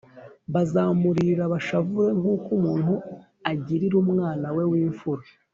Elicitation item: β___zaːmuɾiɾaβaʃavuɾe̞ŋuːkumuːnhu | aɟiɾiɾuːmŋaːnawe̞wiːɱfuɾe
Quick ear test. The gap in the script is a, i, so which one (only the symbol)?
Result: a